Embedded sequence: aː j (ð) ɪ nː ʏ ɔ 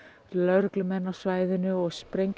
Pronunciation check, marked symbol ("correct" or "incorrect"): correct